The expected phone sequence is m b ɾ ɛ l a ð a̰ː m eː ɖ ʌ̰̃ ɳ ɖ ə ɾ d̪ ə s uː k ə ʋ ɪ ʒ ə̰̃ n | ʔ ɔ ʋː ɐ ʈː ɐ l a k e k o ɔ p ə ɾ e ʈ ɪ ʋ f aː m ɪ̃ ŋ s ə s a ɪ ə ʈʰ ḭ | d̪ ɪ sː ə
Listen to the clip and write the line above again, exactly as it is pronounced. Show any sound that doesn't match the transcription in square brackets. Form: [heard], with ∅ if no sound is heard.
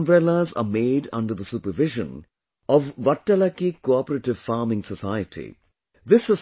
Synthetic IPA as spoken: m b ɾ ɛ l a [z] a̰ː m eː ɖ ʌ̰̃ ɳ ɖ ə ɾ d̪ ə s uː [p] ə ʋ ɪ ʒ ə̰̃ n | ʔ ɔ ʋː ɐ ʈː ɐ l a k [i] k o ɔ p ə ɾ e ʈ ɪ ʋ f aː m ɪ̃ ŋ s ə s a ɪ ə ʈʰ ḭ | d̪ ɪ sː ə

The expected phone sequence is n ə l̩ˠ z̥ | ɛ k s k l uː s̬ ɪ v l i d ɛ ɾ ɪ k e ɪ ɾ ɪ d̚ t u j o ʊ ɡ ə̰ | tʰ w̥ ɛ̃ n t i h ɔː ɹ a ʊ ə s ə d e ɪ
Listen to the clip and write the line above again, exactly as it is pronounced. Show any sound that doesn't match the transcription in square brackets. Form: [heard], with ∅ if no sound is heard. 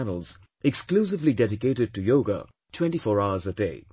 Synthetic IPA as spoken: n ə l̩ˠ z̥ | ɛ k s k l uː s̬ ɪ v l i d ɛ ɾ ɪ k e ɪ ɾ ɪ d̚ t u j o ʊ ɡ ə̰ | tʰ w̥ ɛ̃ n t i [f] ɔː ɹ a ʊ ə [z] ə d e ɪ

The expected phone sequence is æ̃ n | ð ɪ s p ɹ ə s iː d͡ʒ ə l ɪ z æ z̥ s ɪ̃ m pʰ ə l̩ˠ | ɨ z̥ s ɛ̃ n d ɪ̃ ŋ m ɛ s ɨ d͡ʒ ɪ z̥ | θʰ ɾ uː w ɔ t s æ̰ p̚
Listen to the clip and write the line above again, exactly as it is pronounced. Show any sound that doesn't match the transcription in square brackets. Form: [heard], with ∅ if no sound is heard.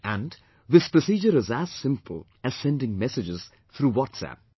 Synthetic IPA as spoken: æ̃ n | ð ɪ s p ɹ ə s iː d͡ʒ ə [ɾ] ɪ z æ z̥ s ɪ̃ m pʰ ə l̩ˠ | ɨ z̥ s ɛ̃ n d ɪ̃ ŋ m ɛ s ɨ d͡ʒ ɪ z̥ | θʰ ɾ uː w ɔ t s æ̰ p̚

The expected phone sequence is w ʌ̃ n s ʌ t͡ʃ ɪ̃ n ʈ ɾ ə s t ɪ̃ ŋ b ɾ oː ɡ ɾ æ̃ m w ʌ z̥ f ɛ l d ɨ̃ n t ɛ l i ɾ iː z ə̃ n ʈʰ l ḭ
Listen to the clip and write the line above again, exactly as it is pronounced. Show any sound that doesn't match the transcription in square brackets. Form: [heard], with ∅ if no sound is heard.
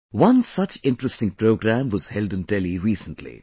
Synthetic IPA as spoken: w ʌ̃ n s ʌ t͡ʃ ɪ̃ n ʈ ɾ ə s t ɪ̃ ŋ [p] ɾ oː ɡ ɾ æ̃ m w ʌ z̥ [h] ɛ l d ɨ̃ n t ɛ l i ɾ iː [s] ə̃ n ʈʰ l ḭ

